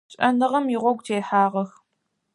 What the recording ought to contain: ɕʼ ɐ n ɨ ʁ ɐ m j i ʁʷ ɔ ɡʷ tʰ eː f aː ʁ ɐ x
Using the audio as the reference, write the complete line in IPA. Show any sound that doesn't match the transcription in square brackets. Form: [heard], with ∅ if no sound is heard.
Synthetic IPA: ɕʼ ɐ n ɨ ʁ ɐ m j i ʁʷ ɔ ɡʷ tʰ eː [ħ] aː ʁ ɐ x